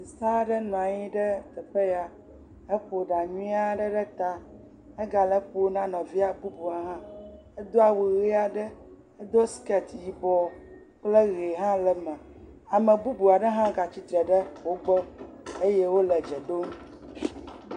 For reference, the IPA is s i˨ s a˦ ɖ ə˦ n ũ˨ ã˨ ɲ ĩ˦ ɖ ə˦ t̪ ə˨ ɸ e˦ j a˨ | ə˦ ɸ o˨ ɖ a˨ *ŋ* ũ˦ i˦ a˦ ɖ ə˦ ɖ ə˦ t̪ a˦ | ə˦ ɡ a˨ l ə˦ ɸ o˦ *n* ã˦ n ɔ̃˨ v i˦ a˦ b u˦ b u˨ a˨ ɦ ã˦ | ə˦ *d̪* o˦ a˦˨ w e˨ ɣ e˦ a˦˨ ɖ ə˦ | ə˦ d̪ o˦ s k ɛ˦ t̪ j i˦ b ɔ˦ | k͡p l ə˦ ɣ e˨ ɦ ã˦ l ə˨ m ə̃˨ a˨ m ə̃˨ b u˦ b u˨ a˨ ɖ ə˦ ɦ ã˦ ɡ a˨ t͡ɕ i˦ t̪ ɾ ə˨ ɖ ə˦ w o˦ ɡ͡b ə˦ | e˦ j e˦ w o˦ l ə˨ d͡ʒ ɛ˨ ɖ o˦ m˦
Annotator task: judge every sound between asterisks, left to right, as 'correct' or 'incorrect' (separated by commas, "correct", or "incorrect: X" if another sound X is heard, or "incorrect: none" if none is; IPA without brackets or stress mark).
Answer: incorrect: ɲ, correct, correct